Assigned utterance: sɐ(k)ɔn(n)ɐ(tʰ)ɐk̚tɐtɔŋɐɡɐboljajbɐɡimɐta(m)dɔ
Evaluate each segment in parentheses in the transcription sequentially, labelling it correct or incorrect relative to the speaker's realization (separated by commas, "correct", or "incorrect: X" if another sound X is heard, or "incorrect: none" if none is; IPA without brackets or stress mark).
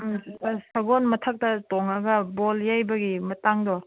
incorrect: ɡ, incorrect: m, correct, incorrect: ŋ